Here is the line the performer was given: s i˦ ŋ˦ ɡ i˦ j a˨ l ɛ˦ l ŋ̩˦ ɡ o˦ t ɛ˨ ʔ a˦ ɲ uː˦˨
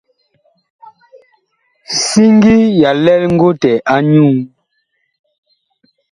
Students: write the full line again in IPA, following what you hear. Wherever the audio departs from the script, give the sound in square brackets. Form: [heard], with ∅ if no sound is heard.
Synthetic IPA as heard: s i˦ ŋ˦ ɡ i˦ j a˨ l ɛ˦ l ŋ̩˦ ɡ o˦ t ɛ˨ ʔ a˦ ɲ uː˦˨